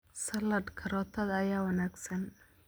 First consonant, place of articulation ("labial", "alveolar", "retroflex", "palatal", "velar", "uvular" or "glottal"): alveolar